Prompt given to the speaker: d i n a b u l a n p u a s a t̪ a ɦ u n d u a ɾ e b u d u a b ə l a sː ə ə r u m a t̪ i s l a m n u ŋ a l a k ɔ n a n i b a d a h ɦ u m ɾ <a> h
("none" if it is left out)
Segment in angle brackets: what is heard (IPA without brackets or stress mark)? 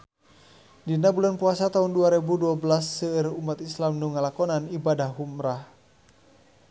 a